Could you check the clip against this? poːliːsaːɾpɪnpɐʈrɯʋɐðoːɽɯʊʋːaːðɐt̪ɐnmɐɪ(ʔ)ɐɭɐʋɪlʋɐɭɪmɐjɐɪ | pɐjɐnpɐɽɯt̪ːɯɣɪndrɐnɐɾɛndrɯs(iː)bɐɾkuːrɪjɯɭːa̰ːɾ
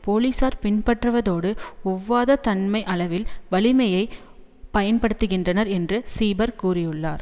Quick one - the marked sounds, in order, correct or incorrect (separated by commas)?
correct, correct